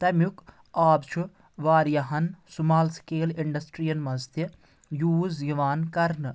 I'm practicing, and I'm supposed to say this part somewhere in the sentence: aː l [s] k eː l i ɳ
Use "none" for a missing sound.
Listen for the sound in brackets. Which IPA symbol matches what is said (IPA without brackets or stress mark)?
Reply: s